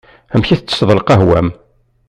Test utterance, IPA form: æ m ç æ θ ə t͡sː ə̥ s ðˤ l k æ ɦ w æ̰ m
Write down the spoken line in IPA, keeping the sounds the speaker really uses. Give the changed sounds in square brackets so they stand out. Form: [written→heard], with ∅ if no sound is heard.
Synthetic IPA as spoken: æ m ç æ θ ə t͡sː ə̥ s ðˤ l [k→q] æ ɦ w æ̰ m